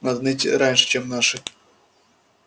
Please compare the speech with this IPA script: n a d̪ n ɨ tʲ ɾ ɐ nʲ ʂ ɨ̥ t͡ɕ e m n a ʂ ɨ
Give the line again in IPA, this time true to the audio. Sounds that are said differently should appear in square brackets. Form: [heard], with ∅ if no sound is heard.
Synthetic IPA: n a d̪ n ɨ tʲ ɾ [a] nʲ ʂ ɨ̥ t͡ɕ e m n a ʂ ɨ